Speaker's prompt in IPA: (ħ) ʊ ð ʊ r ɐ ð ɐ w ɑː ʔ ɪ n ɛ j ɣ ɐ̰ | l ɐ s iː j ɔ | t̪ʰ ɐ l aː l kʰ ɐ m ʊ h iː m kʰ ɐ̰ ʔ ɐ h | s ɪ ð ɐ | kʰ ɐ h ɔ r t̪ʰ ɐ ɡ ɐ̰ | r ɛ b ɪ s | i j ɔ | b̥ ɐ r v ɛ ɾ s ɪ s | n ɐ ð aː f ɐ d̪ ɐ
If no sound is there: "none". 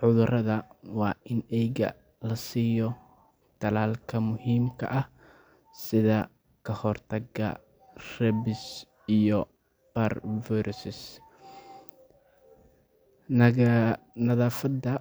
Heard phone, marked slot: ħ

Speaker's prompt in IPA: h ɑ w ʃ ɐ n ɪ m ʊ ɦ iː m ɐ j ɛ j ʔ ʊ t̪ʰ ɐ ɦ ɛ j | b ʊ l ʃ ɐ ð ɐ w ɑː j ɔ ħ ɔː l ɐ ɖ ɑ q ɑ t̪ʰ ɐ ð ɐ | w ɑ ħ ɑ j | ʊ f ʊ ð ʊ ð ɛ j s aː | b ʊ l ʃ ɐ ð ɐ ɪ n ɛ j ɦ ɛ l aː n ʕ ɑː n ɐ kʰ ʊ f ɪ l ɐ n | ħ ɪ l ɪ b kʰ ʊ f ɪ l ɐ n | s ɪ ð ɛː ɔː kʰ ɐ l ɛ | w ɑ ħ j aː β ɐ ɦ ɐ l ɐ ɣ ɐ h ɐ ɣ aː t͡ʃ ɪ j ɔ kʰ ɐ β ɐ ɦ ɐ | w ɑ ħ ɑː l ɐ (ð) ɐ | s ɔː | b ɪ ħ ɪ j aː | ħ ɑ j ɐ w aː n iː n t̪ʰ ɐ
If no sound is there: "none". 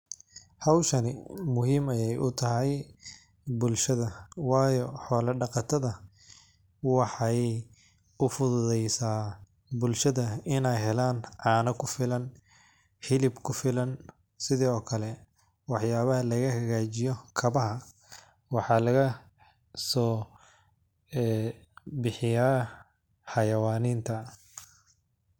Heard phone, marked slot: ɣ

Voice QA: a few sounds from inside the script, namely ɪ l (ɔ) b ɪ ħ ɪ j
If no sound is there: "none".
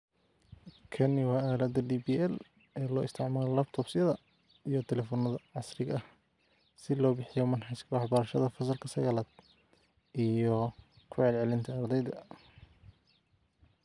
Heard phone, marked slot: ɔː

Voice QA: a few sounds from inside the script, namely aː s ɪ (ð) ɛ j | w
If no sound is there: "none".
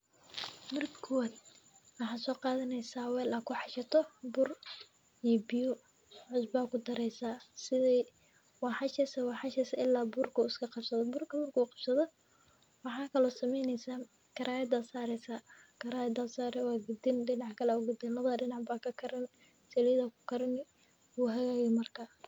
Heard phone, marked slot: ð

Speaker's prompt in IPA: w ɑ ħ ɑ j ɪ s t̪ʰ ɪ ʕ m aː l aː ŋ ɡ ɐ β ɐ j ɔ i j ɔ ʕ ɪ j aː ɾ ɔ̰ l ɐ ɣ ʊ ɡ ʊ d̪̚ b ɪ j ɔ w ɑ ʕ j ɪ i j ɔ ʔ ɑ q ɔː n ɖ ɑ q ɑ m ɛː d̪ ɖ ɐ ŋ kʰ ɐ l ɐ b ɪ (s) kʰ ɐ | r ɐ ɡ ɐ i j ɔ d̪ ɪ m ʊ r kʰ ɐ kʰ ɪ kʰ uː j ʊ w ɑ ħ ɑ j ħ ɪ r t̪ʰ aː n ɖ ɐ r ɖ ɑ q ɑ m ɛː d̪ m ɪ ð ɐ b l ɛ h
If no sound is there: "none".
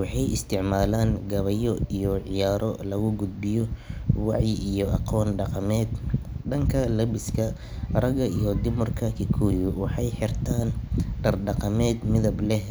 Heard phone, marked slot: s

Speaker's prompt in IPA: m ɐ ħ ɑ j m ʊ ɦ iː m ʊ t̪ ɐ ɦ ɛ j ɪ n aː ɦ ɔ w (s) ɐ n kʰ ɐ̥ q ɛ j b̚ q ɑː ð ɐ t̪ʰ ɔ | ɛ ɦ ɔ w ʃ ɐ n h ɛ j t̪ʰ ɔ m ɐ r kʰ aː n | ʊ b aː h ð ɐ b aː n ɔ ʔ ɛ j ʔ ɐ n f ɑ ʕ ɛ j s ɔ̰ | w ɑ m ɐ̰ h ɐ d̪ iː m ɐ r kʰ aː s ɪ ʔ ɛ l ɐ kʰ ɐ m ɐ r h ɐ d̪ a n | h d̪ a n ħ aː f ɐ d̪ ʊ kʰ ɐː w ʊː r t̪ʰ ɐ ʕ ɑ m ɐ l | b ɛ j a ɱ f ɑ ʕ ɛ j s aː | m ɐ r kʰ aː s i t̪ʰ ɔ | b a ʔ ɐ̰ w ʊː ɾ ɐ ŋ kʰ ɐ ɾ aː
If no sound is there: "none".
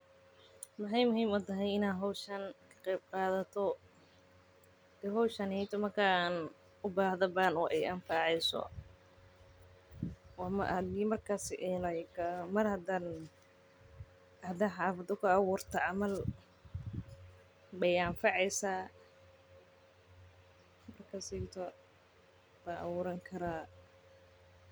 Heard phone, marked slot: ʃ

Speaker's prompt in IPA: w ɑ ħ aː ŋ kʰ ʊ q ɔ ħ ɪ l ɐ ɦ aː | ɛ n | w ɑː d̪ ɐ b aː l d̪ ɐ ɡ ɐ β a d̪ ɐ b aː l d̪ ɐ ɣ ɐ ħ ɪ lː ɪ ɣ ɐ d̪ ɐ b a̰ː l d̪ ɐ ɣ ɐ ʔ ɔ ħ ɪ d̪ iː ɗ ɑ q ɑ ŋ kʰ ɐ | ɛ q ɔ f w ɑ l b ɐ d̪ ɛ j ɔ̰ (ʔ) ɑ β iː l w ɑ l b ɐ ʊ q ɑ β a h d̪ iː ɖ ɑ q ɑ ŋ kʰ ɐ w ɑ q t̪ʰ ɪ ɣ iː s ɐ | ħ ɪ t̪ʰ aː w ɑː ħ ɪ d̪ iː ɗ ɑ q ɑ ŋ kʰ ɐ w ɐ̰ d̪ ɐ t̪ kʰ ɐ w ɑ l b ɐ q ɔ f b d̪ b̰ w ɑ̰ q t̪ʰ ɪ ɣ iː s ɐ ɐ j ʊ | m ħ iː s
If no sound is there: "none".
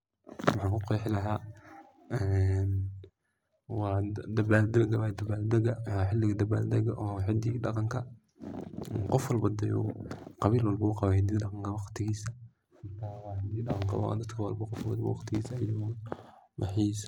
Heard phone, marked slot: q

